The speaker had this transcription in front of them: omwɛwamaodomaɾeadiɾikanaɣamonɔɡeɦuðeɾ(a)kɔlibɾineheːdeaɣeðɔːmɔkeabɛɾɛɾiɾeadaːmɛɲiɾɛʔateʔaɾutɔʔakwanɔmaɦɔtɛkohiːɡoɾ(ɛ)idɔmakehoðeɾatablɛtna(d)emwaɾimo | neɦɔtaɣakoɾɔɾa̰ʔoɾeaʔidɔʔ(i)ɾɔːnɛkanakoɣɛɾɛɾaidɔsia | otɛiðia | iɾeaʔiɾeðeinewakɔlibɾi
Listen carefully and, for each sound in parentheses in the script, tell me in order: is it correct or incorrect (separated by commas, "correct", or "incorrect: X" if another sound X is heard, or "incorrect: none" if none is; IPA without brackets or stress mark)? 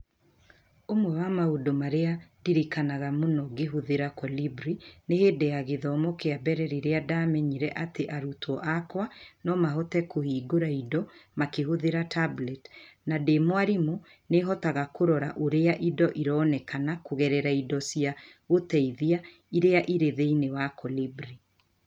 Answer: correct, incorrect: a, correct, correct